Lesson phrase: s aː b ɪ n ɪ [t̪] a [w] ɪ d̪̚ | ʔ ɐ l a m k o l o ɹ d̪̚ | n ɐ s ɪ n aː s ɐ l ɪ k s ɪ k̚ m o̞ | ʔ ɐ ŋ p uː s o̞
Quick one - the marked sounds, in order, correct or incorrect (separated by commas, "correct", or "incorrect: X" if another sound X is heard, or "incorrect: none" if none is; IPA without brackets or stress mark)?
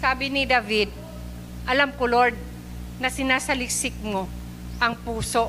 incorrect: d̪, incorrect: v